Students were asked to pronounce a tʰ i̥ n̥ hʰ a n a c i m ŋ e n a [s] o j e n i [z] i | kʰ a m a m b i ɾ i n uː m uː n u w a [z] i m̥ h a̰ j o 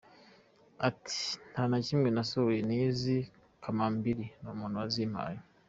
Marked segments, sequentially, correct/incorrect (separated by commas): correct, correct, correct